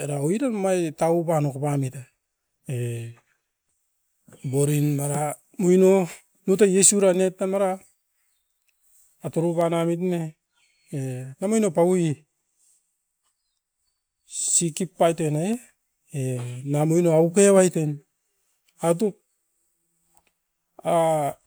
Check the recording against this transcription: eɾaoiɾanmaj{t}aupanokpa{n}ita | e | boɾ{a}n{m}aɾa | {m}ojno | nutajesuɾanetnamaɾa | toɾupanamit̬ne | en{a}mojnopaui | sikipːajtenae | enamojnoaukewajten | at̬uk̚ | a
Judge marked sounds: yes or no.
yes, no, no, yes, yes, yes

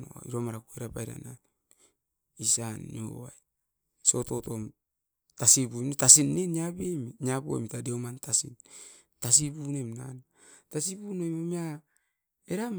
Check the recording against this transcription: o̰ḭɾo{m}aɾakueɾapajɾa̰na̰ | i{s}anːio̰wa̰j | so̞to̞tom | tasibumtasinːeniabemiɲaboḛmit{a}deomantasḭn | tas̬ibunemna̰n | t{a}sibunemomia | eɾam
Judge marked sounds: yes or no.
yes, yes, yes, yes

